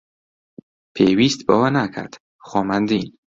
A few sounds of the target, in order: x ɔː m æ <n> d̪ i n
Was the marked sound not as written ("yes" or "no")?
no